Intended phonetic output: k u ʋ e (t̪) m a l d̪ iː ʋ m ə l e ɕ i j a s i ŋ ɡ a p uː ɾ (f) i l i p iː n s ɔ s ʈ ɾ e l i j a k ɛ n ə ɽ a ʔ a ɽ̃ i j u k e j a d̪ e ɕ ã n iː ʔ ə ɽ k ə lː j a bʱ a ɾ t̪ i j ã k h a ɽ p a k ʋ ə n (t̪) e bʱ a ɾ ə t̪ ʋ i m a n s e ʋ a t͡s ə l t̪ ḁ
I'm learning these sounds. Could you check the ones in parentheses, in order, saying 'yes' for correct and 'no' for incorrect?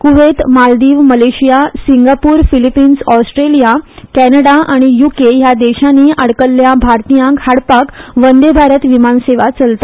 yes, yes, no

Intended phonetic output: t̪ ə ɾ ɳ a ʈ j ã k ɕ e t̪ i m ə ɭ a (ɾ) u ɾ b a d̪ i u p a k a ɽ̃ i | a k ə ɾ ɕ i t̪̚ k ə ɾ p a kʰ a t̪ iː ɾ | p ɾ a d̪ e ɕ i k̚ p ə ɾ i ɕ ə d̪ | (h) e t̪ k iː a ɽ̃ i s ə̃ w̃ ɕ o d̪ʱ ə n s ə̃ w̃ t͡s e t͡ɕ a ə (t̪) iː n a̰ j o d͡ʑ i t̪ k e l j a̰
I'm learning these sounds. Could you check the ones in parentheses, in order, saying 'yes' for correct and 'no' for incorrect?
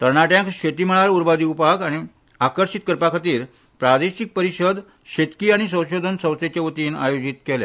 yes, no, yes

